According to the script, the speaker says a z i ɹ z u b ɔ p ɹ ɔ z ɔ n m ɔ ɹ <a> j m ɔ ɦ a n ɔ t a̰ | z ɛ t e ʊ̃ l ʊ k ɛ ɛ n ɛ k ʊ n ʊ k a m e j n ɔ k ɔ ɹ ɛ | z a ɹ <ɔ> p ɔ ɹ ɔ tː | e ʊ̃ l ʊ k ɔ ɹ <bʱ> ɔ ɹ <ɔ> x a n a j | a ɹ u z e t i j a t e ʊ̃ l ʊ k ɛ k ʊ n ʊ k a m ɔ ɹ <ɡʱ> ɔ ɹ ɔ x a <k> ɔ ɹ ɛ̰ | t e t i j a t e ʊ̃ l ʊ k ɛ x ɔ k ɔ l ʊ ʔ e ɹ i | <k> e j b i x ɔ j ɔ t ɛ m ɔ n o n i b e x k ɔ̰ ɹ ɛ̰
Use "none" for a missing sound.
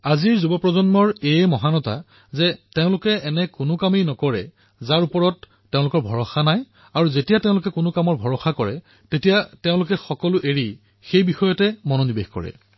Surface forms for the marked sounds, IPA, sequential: e, u, bʱ, ɔ, bʱ, k, x

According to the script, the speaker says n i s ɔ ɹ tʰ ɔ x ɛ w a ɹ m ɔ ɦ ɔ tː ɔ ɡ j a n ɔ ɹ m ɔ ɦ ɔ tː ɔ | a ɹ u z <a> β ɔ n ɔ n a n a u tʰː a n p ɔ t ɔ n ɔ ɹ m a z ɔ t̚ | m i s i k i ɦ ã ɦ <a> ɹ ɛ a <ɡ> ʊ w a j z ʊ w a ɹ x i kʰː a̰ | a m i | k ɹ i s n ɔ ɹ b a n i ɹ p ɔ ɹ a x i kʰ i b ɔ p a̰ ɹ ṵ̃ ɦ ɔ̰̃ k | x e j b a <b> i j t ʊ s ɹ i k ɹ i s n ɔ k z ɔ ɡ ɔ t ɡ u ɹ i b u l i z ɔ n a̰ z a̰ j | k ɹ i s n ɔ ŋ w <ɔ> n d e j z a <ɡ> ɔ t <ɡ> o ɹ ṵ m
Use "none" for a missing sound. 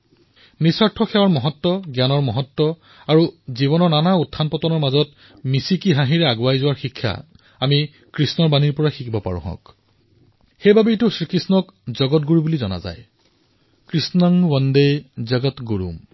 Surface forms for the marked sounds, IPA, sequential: i, i, ɡ, b, ɔ, ɡ, ɡ

